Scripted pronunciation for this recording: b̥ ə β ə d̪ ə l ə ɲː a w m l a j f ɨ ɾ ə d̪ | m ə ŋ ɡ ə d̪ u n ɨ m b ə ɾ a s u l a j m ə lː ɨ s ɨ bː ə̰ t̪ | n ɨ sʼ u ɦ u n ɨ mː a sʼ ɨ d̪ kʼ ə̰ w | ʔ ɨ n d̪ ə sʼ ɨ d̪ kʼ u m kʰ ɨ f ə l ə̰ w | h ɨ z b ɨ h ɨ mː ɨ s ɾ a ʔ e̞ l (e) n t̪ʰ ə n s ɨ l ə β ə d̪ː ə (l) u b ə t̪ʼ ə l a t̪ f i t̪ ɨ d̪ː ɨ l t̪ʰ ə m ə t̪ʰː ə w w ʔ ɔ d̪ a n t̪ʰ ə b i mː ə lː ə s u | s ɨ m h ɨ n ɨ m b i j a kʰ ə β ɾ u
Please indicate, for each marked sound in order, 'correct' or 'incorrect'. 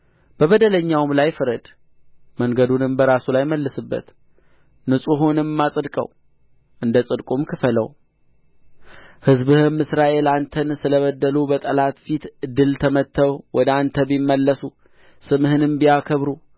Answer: incorrect, correct

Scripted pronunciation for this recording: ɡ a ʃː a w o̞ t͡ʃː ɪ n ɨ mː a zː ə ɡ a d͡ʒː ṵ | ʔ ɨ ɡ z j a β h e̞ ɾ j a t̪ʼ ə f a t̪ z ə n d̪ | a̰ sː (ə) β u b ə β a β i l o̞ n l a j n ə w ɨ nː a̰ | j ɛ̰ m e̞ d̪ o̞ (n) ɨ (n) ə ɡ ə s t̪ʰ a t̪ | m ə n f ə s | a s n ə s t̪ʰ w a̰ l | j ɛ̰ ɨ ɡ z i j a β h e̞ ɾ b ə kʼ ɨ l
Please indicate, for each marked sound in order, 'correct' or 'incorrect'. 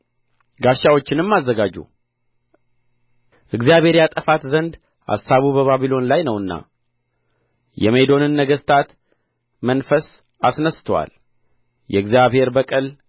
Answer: incorrect, correct, incorrect

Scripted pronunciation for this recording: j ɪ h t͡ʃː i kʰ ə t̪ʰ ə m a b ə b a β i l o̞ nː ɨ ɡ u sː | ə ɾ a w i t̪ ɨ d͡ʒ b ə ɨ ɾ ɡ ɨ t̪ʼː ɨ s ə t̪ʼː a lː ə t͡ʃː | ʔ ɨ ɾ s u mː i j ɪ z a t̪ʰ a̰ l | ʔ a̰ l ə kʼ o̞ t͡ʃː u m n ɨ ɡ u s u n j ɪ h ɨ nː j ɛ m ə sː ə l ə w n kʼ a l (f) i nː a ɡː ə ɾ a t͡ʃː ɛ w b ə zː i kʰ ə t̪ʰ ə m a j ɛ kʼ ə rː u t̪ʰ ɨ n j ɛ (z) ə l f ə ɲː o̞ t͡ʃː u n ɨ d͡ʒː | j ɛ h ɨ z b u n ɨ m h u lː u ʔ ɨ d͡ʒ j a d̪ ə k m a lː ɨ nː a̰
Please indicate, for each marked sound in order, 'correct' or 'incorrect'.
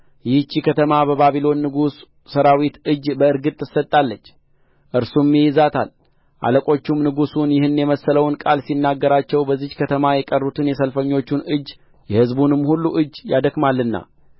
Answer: incorrect, incorrect

